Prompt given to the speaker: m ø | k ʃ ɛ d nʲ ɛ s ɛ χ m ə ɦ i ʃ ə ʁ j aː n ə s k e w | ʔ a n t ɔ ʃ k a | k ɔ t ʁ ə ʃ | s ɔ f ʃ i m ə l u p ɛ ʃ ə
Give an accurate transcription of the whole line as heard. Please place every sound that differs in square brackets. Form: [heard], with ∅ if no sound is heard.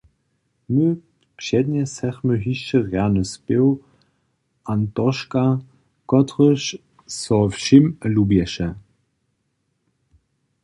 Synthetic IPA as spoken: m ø | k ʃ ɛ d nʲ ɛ s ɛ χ m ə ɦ i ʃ ə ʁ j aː n ə s [p] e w | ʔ a n t ɔ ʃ k a | k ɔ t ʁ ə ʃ | s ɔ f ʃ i m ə l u [b] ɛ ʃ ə